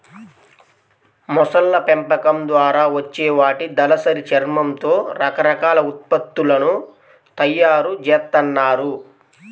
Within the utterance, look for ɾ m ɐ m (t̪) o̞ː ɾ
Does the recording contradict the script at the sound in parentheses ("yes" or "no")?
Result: no